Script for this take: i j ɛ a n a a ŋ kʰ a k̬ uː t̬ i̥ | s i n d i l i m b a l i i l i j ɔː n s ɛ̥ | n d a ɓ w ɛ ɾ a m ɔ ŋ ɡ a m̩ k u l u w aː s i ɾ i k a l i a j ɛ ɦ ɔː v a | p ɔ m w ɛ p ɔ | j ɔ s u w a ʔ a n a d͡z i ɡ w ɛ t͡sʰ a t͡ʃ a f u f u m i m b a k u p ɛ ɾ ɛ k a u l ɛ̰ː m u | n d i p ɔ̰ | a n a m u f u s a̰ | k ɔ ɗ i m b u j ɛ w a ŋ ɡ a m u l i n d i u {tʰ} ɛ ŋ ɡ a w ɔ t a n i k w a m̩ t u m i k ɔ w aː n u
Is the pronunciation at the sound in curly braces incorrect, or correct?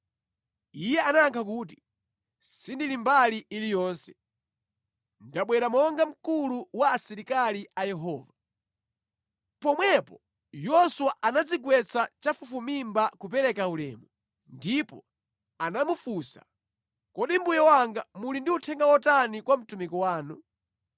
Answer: correct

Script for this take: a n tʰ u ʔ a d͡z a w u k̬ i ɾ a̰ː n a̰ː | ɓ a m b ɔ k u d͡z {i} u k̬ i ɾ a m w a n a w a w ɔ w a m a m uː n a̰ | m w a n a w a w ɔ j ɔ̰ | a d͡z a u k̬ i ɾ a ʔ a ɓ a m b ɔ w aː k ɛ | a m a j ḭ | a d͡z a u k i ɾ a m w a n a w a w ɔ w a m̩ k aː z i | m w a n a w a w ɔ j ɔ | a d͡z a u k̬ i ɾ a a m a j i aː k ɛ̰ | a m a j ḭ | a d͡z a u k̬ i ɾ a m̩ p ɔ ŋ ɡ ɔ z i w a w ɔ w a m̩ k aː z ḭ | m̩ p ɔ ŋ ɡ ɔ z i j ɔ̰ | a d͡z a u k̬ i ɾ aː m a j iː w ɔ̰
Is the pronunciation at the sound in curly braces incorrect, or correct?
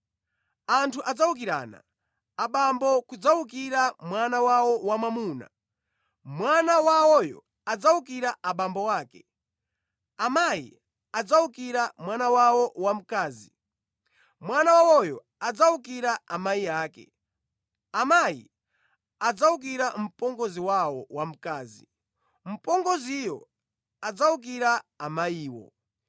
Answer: incorrect: a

